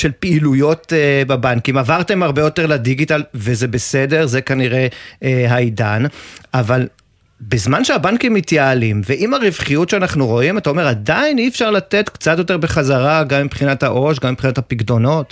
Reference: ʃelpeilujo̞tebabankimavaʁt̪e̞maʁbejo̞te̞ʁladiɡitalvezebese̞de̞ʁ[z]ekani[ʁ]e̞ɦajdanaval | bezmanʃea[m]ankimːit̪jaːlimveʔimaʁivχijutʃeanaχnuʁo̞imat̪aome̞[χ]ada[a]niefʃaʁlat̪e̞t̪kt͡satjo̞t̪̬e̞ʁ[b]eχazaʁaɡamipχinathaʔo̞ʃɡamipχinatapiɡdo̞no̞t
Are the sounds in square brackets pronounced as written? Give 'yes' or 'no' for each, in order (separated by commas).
yes, yes, no, no, no, yes